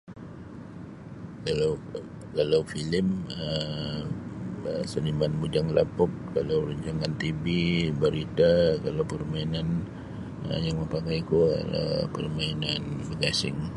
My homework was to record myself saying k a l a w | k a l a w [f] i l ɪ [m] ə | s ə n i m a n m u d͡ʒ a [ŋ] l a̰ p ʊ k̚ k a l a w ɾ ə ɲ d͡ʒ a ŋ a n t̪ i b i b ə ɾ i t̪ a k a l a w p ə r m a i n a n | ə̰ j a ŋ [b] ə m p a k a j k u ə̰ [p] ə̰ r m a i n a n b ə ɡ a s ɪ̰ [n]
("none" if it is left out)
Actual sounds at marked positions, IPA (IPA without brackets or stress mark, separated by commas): f, m, ŋ, m, p, ŋ